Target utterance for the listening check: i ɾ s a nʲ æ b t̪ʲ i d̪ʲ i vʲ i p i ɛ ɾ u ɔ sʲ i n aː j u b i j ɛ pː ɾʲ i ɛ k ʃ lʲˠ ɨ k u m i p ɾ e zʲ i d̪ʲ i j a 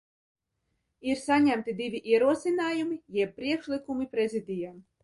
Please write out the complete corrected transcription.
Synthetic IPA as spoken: i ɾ s a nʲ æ m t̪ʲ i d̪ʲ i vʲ i ʔ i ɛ ɾ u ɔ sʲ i n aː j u m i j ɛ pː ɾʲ i ɛ k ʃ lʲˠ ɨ k u m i p ɾ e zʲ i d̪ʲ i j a